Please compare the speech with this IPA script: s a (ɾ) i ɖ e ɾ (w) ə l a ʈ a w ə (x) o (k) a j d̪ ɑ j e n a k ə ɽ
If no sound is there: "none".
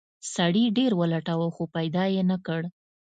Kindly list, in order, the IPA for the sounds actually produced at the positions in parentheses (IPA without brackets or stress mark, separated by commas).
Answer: ɽ, w, x, p